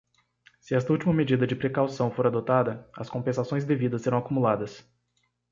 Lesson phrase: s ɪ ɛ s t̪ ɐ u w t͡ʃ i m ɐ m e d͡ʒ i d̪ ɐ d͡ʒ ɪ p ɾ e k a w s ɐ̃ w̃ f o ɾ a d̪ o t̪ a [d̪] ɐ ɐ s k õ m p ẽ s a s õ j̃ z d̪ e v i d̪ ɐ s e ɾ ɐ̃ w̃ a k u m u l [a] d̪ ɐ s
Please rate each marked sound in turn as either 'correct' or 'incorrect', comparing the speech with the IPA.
correct, correct

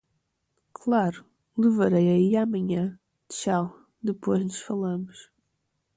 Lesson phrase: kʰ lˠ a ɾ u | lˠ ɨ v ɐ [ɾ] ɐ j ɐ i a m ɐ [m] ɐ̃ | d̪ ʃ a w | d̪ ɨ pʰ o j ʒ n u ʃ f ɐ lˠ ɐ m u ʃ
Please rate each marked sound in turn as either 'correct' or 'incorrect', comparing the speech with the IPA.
correct, incorrect

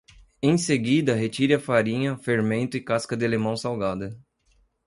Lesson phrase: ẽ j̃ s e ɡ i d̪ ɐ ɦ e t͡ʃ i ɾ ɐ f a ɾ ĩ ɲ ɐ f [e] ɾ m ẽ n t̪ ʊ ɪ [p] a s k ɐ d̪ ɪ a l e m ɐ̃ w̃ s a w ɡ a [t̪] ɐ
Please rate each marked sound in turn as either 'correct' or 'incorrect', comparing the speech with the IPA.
correct, incorrect, incorrect

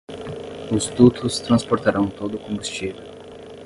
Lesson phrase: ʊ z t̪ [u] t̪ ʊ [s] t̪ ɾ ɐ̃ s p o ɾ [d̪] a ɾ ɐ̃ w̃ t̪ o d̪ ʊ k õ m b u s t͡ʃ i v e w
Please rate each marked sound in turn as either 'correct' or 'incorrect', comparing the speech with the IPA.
correct, correct, incorrect

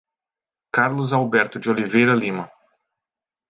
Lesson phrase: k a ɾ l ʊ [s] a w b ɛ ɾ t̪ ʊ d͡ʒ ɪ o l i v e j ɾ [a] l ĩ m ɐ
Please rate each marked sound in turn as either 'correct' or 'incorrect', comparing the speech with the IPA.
incorrect, incorrect

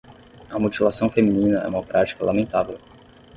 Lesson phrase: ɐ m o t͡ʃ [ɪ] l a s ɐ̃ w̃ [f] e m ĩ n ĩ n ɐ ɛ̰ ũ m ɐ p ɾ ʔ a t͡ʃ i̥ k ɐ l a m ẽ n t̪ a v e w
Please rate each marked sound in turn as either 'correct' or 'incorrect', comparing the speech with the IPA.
incorrect, correct

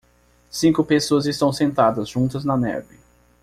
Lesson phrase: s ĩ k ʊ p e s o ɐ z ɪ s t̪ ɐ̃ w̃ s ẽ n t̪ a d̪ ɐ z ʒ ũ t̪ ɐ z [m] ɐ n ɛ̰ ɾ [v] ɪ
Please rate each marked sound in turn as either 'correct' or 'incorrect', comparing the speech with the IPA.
incorrect, correct

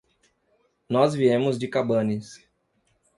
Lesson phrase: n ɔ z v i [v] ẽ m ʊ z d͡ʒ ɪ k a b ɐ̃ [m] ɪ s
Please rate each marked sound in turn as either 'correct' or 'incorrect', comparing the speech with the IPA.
incorrect, incorrect

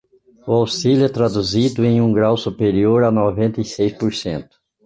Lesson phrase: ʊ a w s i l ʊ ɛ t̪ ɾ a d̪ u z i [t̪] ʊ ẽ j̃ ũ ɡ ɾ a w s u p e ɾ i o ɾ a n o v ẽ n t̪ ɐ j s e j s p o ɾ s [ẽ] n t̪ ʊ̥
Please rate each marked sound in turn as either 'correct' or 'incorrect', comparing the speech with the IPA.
incorrect, correct

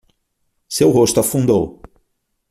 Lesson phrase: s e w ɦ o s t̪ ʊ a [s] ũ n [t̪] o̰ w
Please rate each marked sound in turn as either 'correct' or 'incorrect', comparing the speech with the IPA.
incorrect, incorrect

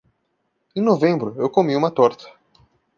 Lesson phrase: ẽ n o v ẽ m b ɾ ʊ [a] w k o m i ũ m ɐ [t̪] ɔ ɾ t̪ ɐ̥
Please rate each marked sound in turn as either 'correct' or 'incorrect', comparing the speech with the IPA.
incorrect, correct

